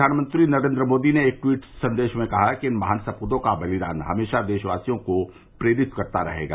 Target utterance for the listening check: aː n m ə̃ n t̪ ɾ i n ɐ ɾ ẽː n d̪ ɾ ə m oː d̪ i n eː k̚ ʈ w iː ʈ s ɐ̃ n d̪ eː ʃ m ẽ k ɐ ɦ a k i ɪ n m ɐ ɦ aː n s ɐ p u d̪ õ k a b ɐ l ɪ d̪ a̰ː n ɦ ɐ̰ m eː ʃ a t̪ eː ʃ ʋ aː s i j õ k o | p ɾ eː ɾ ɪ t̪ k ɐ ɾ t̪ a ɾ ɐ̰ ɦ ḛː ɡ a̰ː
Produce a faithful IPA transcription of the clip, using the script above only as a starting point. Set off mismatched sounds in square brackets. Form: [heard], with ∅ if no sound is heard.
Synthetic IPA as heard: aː n m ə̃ n t̪ ɾ i n ɐ ɾ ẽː n d̪ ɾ ə m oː d̪ i n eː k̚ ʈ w iː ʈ s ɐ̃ n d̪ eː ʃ m ẽ k ɐ ɦ a k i ɪ n m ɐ ɦ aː n s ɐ p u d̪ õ k a b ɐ l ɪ d̪ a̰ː n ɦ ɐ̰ m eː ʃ a [d̪] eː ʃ ʋ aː s i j õ k o | p ɾ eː ɾ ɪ t̪ k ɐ ɾ t̪ a ɾ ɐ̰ ɦ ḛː ɡ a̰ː